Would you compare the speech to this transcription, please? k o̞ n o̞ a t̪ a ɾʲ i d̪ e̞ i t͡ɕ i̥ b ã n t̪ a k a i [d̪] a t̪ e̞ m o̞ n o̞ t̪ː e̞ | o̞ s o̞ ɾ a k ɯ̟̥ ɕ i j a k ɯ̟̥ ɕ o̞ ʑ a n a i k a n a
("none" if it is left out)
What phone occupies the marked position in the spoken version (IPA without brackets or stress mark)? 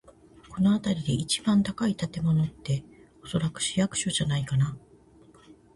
t̪